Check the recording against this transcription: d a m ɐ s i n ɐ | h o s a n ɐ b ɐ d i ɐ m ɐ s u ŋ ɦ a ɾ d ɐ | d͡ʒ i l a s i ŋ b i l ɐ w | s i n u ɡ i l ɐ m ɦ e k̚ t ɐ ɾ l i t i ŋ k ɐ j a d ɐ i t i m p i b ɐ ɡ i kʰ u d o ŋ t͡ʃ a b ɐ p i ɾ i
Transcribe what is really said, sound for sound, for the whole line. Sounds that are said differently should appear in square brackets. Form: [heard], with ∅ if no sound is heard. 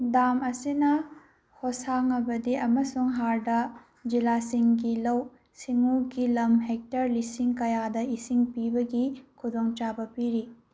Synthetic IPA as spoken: d a m ɐ s i n ɐ | h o s a [ŋ] ɐ b ɐ d i ɐ m ɐ s u ŋ ɦ a ɾ d ɐ | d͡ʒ i l a s i ŋ [ɡ] i l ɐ w | s i [ŋ] u ɡ i l ɐ m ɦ e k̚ t ɐ ɾ l i [s] i ŋ k ɐ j a d ɐ i [s] i [ŋ] p i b ɐ ɡ i kʰ u d o ŋ t͡ʃ a b ɐ p i ɾ i